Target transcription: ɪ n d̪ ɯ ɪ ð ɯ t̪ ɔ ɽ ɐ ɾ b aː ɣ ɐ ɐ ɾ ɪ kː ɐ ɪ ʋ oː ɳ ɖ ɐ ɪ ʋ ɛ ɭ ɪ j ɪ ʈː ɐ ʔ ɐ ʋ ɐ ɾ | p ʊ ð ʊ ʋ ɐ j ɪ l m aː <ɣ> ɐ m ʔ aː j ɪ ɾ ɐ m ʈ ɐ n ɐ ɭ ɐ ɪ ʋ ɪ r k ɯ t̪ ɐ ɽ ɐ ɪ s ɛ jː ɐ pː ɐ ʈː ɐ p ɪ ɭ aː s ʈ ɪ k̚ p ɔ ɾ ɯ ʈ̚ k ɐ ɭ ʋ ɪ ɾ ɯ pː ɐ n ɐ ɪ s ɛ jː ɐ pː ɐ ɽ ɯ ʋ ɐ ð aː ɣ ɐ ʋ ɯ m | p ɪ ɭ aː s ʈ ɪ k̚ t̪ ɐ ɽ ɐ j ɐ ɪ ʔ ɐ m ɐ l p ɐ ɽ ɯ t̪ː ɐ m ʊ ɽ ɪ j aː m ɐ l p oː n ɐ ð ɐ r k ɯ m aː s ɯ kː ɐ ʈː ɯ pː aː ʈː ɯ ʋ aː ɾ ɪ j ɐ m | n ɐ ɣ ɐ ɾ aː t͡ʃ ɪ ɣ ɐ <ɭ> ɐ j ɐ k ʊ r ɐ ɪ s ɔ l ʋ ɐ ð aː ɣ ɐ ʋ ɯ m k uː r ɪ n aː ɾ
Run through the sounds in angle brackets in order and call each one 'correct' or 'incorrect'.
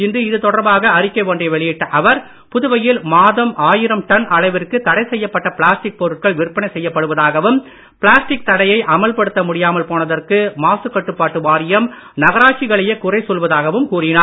incorrect, correct

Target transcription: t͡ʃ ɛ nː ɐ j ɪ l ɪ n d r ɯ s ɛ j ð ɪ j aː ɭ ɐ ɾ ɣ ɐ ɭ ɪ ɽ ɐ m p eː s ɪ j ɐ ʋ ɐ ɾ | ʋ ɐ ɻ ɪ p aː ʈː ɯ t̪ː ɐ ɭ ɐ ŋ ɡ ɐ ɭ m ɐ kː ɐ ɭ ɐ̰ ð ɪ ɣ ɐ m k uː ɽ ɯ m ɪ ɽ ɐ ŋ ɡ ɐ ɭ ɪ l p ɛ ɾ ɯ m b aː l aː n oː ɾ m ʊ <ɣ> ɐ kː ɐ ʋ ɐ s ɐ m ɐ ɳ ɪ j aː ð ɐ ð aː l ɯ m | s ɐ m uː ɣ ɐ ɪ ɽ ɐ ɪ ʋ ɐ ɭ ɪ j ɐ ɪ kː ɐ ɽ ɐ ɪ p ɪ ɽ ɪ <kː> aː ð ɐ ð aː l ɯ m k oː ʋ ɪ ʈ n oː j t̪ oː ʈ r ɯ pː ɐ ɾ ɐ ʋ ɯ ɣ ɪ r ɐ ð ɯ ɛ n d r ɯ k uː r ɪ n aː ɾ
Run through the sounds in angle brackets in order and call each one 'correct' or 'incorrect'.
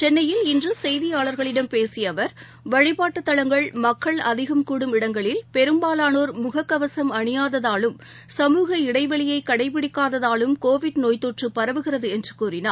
correct, correct

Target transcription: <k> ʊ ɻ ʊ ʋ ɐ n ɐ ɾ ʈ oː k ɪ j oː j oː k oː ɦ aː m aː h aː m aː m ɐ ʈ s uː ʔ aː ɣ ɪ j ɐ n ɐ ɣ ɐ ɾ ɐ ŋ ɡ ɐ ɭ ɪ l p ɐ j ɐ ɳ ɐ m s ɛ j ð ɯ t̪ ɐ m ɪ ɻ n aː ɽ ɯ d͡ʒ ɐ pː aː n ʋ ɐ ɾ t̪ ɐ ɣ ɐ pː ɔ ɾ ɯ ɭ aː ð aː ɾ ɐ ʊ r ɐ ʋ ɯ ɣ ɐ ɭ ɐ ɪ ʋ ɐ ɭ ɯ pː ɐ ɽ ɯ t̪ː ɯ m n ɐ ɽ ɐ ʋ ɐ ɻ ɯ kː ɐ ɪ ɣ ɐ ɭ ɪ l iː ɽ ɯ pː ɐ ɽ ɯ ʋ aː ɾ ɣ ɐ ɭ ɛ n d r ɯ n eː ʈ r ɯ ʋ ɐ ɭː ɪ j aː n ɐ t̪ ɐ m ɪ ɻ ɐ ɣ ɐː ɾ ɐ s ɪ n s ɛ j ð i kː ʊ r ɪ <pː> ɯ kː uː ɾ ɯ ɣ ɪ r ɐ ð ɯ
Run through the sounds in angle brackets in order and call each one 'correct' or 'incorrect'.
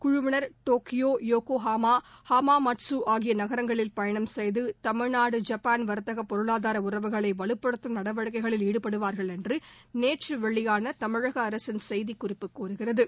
correct, correct

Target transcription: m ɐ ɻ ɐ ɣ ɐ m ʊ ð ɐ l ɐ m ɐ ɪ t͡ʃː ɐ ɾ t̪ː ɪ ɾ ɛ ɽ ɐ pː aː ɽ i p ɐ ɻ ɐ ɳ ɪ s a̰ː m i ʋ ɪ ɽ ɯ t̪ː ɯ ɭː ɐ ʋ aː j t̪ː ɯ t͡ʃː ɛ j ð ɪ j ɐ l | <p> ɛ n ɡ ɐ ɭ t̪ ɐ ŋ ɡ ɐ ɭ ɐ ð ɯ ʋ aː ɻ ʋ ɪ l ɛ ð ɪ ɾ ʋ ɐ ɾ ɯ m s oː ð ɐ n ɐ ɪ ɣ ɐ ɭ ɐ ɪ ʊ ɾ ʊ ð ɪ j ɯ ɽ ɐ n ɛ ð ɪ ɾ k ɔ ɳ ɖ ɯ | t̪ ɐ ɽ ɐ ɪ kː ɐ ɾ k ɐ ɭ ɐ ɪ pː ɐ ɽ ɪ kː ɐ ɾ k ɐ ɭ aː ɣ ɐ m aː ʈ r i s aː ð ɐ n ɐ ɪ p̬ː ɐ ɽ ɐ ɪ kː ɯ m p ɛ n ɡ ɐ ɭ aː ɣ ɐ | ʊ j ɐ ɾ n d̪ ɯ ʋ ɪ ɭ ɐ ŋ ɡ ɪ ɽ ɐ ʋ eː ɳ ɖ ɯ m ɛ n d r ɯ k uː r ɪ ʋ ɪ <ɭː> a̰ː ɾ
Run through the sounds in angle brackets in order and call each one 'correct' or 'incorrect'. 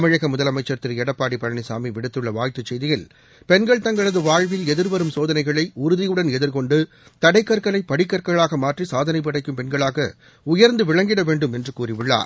correct, correct

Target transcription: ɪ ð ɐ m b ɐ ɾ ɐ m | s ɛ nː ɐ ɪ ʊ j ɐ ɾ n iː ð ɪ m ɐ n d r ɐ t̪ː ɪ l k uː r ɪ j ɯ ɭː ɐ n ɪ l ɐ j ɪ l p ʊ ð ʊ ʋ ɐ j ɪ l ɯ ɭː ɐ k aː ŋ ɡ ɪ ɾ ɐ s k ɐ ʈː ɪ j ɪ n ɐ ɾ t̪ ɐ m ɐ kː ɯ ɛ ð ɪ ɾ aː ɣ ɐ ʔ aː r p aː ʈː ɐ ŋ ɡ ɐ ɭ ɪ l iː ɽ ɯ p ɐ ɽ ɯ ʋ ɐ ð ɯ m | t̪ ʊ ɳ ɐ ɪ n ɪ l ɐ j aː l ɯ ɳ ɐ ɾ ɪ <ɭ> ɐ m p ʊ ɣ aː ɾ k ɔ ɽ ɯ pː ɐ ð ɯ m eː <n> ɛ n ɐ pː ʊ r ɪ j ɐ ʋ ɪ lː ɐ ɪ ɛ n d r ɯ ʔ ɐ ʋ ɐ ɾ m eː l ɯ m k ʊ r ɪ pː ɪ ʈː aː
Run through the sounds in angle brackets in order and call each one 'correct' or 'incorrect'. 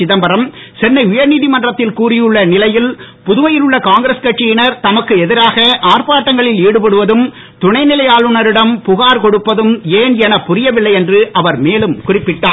incorrect, correct

